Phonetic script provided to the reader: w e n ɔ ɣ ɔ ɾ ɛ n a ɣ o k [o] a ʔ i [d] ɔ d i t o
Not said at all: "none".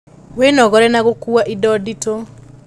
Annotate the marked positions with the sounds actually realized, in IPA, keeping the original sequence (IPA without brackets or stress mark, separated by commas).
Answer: u, d